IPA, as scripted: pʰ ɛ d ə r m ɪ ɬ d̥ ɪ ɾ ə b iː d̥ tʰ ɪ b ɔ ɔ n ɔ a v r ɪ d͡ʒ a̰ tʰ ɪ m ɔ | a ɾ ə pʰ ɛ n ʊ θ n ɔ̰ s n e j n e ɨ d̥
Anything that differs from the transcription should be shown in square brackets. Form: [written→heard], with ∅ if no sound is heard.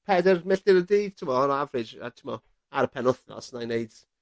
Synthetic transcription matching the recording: pʰ ɛ d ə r m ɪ ɬ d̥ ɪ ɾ ə [b→d] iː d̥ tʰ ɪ [b→m] ɔ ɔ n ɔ a v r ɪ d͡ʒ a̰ tʰ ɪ m ɔ | a ɾ ə pʰ ɛ n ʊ θ n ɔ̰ s n [e→a] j n e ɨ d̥

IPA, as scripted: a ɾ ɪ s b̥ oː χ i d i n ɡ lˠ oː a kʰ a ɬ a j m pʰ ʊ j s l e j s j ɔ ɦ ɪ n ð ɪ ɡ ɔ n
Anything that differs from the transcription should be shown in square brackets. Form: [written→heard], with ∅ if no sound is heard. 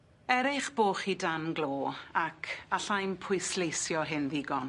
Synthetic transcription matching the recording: [a→ɛ] ɾ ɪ [s→χ] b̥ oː χ i d [i→a] n ɡ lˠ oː a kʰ a ɬ a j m pʰ ʊ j s l e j s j ɔ ɦ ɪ n ð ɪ ɡ ɔ n

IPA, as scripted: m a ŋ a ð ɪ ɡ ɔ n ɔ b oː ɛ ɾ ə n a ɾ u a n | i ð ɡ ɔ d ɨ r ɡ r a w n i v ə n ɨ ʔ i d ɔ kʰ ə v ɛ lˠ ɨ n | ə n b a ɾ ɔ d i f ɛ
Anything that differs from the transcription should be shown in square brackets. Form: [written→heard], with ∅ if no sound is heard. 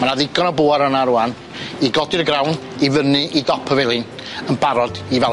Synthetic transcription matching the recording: m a [ŋ→n] a ð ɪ ɡ ɔ n ɔ b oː [ɛ→a] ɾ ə n a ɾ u a n | i [ð→∅] ɡ ɔ d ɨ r ɡ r a w n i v ə n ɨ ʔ i d ɔ [kʰ→pʰ] ə v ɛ lˠ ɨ n | ə n b a ɾ ɔ d i [f→v] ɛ

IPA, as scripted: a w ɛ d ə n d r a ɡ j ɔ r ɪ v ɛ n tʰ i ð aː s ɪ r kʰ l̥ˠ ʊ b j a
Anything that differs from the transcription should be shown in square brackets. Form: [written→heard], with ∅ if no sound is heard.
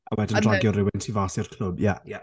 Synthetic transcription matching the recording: a w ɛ d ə n d r a ɡ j ɔ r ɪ [v→w] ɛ n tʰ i [ð→v] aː s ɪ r kʰ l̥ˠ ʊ b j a

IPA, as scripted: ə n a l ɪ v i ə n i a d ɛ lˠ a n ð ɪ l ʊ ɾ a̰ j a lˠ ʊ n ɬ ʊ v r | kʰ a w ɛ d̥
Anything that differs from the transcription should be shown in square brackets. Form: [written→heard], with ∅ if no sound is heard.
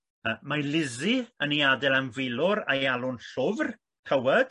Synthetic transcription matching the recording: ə [n→m] a l ɪ [v→z] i ə n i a d ɛ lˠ a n [ð→v] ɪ l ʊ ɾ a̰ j a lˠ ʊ n ɬ ʊ v r | kʰ [a→ə] w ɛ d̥

